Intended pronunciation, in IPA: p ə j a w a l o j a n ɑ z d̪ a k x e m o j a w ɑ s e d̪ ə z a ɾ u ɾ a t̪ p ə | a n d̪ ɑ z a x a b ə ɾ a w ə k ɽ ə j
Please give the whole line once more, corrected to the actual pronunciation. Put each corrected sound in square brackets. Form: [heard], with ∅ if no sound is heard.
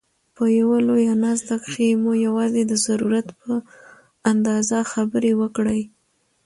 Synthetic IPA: p ə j a w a l o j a n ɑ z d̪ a k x e m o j a w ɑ [z] e d̪ ə z a ɾ u ɾ a t̪ p ə | a n d̪ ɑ z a x a b ə ɾ [e] w ə k ɽ ə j